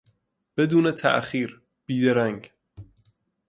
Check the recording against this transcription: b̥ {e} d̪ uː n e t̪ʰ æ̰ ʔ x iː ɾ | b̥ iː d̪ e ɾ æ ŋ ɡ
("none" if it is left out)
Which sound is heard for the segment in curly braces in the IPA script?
e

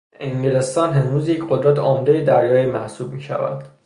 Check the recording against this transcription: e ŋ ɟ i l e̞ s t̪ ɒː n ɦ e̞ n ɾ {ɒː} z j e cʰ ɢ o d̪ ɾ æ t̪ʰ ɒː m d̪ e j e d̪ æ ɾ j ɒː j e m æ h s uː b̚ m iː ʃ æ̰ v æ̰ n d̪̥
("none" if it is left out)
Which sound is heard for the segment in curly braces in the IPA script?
uː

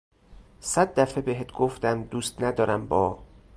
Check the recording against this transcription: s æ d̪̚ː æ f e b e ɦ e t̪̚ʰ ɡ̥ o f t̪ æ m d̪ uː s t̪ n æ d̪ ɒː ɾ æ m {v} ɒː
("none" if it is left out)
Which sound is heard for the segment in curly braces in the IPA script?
b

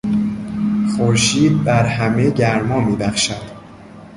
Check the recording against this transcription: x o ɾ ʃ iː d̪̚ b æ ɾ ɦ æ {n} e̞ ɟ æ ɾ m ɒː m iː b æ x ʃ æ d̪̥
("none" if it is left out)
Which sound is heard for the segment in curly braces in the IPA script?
m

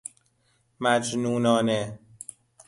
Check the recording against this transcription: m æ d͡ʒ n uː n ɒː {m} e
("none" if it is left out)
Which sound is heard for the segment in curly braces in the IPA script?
n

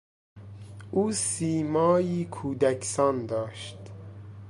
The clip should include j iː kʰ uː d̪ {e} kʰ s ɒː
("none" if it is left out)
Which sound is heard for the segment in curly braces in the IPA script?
æ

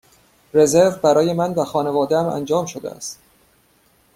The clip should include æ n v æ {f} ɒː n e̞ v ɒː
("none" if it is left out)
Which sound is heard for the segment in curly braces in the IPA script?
x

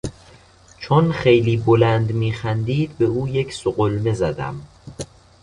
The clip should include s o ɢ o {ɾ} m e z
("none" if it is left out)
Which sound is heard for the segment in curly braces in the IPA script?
l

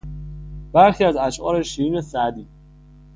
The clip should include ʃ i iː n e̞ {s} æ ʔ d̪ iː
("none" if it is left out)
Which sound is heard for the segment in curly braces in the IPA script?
s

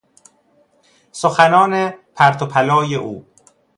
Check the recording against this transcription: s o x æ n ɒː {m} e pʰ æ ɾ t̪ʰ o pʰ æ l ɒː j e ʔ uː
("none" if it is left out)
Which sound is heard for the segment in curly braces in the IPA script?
n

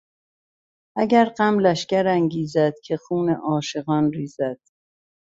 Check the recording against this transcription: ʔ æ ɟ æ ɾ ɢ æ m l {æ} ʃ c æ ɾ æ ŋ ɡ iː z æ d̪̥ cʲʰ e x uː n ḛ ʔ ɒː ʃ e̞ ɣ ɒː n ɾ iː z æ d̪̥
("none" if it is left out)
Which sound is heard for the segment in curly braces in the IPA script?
æ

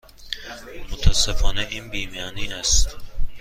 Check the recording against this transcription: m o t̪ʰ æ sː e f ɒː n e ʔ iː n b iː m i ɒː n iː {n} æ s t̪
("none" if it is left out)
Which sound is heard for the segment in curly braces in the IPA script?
n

